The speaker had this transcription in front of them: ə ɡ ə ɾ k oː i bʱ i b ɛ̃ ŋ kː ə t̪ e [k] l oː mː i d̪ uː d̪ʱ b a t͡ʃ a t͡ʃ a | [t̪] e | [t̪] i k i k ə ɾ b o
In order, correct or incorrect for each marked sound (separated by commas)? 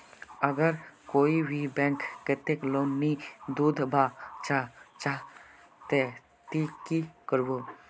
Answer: correct, correct, correct